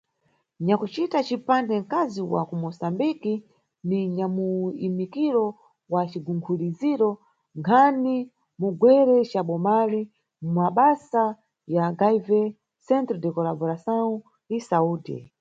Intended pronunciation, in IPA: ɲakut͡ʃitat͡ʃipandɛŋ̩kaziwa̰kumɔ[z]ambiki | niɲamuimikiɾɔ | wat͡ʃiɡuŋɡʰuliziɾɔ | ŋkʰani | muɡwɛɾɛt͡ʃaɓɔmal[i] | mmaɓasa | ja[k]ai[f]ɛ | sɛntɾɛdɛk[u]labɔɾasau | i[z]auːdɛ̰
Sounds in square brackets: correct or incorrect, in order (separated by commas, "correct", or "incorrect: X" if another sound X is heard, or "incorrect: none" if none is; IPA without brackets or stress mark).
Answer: incorrect: s, correct, incorrect: ɡ, incorrect: v, incorrect: ɔ, incorrect: s